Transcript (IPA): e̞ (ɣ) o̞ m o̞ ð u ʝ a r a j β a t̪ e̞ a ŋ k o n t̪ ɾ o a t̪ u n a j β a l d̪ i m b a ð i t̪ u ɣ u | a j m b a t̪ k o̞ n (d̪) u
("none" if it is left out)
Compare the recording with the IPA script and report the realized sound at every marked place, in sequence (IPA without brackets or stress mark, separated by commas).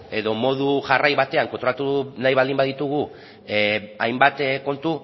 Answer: ð, t̪